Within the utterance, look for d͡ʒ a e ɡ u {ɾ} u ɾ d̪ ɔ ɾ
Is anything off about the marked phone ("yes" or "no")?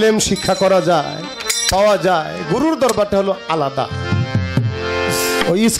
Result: no